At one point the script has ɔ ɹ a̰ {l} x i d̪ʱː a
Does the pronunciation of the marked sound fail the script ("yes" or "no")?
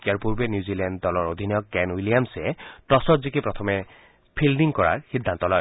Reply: yes